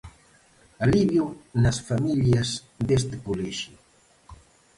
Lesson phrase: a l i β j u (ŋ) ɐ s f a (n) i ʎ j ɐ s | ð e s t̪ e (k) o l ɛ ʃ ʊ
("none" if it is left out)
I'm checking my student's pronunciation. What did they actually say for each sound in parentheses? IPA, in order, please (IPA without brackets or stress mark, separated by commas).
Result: n, m, k